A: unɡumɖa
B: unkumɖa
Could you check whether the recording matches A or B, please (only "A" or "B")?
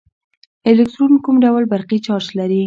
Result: B